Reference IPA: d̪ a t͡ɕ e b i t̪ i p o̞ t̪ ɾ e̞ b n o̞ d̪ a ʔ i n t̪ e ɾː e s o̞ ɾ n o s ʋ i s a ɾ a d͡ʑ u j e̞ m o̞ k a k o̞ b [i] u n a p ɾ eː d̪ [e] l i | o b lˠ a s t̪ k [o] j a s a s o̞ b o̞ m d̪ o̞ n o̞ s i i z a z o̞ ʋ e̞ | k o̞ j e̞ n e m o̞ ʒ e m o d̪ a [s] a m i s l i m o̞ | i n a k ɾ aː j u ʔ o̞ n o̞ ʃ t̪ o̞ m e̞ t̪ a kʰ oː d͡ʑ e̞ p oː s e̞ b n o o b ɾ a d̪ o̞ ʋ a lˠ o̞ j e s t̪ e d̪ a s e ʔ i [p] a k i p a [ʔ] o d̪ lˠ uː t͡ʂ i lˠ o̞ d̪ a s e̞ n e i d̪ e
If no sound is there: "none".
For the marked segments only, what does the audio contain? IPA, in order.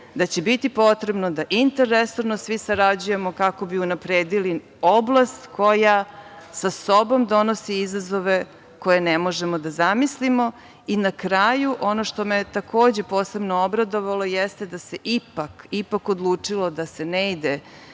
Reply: i, i, o, z, p, k

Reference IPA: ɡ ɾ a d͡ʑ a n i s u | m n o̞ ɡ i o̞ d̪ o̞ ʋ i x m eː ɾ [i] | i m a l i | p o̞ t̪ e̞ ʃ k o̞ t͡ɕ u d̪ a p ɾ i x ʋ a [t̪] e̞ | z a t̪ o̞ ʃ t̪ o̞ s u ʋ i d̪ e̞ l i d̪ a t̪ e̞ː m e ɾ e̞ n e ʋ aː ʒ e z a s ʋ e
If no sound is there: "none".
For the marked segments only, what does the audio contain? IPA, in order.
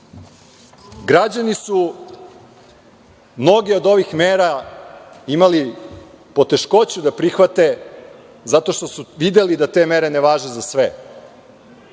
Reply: a, t̪

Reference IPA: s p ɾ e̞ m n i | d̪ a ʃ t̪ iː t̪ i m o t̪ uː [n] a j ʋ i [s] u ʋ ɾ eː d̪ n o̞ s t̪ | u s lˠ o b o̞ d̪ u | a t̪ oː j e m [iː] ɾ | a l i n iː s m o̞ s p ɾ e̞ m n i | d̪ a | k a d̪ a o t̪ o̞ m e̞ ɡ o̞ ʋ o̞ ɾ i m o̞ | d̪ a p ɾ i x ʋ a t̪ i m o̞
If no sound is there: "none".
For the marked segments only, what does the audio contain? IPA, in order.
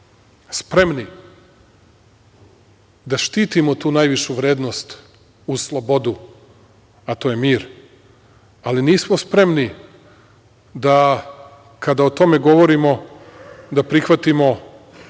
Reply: n, ʃ, iː

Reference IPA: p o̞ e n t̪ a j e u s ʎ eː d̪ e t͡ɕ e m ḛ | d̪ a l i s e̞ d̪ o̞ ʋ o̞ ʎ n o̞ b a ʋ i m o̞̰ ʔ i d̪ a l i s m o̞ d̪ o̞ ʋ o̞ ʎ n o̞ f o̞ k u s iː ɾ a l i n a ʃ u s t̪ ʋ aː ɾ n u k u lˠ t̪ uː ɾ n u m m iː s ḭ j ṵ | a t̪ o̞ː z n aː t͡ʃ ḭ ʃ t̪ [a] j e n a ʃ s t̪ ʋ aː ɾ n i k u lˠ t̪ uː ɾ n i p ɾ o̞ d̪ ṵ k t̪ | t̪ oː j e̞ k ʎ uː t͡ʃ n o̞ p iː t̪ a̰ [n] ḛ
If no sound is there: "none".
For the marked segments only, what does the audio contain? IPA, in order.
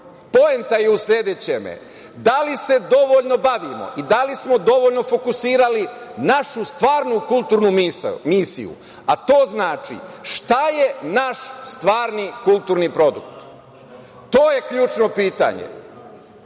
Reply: a, ɲ

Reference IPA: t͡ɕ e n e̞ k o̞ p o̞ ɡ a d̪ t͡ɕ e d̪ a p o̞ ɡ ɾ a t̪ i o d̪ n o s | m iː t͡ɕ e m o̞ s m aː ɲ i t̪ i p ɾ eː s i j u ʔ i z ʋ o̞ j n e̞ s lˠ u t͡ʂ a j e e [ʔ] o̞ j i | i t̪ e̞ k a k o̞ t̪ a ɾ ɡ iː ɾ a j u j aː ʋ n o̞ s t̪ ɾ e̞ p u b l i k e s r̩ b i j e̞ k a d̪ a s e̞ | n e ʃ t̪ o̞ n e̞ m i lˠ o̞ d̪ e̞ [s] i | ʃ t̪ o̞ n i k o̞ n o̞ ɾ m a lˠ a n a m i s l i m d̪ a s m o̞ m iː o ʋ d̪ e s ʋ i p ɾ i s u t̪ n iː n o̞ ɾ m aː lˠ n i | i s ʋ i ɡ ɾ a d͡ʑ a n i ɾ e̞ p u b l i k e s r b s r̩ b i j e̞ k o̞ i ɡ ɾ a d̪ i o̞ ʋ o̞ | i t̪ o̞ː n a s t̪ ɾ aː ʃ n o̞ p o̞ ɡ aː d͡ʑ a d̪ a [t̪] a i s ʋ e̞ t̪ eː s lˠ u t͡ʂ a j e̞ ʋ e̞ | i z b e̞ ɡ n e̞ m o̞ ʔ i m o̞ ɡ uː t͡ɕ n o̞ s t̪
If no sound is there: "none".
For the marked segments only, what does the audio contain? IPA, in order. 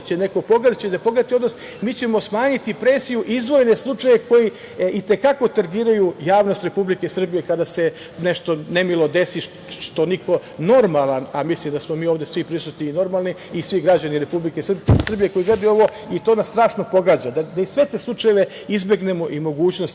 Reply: k, s, d̪

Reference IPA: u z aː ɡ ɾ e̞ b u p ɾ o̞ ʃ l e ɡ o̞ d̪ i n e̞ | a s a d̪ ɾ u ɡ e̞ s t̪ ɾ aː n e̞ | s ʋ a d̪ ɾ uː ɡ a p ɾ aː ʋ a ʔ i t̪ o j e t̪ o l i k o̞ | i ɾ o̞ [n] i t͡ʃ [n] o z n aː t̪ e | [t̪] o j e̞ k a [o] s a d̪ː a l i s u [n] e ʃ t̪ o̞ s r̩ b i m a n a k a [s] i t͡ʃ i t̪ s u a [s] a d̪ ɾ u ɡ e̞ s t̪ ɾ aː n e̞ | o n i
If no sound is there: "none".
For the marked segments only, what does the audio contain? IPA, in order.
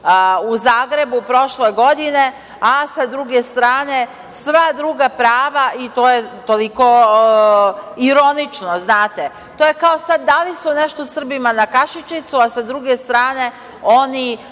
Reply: n, n, t̪, o, n, ʃ, s

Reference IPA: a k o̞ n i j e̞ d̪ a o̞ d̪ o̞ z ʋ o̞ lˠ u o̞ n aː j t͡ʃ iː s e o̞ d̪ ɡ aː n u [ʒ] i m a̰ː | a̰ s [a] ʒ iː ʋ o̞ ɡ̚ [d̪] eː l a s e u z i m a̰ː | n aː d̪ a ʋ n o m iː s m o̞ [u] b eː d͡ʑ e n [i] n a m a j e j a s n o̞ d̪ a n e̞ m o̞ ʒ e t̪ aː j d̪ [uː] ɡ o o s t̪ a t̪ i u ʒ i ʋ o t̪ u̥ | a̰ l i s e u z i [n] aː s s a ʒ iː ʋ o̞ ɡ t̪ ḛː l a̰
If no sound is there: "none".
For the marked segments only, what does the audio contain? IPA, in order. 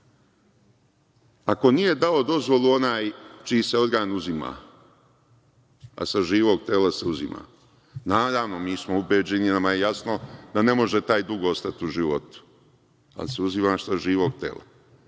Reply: z, a, t̪, u, i, u, m

